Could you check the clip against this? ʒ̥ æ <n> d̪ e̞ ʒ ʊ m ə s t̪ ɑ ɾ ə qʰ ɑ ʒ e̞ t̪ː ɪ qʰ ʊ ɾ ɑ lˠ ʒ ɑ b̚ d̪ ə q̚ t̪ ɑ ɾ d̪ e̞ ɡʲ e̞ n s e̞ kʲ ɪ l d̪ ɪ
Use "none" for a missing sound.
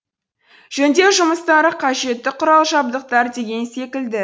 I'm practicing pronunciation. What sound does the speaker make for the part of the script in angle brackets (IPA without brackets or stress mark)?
n